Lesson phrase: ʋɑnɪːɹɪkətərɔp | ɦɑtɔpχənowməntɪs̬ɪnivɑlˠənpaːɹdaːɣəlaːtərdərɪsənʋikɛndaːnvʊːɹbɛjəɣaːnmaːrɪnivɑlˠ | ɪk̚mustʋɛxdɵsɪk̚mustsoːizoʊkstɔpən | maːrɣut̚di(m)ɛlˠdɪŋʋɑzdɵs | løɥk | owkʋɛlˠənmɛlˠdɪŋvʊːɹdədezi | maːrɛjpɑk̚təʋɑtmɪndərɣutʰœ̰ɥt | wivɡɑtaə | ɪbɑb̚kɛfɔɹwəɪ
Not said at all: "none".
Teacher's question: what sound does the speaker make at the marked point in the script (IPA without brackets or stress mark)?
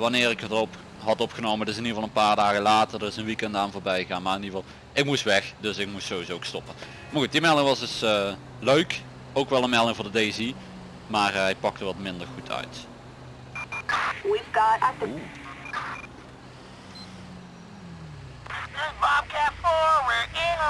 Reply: m